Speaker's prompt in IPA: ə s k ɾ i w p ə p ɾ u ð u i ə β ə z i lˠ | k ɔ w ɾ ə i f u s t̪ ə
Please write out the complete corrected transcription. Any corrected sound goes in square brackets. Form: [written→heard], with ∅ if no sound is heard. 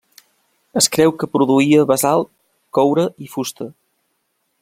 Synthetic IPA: ə s k ɾ [i→ɛ] w [p→k] ə p ɾ u ð u i ə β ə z [i→a] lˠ | k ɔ w ɾ ə i f u s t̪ ə